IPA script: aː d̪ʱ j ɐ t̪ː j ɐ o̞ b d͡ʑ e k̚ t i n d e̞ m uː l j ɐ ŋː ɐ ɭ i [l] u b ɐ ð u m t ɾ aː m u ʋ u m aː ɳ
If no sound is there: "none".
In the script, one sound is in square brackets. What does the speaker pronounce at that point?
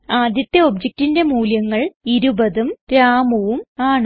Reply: ɾ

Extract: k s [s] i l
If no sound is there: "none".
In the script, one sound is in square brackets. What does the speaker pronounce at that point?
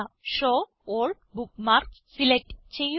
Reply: s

